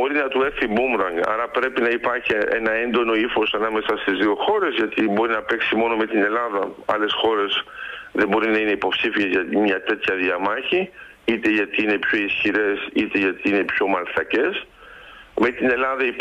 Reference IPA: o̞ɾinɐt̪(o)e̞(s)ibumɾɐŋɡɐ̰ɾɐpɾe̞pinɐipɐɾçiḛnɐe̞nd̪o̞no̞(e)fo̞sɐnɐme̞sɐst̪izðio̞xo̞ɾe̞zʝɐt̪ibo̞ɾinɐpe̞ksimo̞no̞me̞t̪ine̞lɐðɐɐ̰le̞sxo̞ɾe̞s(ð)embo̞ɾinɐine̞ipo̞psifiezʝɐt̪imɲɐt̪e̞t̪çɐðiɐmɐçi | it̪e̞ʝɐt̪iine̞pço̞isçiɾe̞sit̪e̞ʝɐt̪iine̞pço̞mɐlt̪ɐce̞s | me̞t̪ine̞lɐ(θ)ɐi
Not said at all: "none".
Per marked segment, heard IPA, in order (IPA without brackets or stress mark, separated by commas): u, θ, i, ð, ð